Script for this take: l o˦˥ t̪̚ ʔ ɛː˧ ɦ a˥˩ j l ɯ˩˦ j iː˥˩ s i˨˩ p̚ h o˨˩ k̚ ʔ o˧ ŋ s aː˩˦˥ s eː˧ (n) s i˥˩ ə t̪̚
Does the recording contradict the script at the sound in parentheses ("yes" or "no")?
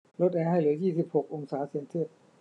no